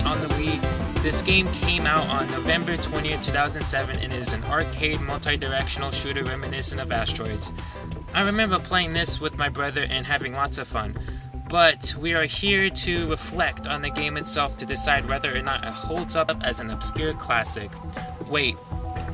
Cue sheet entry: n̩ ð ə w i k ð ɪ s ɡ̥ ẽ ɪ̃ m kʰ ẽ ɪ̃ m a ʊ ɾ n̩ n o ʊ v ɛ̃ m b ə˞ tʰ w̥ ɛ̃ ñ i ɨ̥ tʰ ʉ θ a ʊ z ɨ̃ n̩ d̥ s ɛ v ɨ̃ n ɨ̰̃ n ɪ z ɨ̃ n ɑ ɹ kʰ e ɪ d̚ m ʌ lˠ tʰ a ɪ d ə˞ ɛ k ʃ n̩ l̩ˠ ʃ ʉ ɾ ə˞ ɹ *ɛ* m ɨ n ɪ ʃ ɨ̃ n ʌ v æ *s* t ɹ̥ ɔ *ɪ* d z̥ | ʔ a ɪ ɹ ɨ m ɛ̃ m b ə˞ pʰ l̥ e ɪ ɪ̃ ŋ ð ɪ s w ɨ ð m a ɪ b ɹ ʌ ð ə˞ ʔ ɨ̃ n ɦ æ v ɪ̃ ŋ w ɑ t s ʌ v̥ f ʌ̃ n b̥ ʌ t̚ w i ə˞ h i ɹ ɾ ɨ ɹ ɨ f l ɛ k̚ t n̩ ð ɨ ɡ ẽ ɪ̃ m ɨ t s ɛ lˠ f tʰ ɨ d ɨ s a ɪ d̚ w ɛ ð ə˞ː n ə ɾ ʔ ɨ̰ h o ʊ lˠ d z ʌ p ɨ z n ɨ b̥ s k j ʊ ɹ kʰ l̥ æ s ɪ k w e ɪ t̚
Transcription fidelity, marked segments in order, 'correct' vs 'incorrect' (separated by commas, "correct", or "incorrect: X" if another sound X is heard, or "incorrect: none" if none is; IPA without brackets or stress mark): correct, correct, correct